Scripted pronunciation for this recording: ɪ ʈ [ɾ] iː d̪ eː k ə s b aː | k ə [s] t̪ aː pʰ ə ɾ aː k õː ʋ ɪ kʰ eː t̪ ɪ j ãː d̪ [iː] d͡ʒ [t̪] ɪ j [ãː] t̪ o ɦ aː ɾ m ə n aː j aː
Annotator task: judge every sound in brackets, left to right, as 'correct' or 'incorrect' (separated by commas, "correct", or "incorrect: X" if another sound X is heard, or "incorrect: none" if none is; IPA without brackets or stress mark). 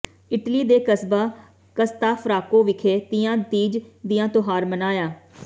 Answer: incorrect: l, correct, correct, incorrect: d̪, correct